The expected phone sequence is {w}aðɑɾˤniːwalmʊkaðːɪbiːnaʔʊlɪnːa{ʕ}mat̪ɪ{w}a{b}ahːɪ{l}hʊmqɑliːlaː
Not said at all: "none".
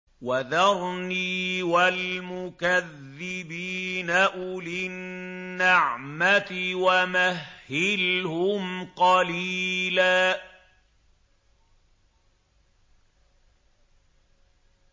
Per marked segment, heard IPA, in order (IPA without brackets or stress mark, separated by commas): w, ʕ, w, m, l